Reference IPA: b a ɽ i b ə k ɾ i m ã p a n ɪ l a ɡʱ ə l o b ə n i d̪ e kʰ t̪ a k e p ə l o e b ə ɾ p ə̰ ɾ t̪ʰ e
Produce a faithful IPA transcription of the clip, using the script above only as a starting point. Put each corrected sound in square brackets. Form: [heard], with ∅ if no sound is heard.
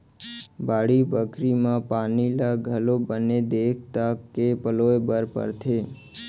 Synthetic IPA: b a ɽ i b ə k ɾ i m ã p a n [i] l a ɡʱ ə l o b ə n [e] d̪ e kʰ t̪ a k e p ə l o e b ə ɾ p ə̰ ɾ t̪ʰ e